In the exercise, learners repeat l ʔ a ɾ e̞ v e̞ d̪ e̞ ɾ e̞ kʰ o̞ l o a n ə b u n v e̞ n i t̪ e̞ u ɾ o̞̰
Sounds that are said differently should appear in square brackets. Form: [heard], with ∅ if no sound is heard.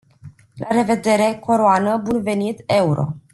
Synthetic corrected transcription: l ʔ a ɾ e̞ v e̞ d̪ e̞ ɾ e̞ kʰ o̞ [ɾ] o a n ə b u n v e̞ n i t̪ e̞ u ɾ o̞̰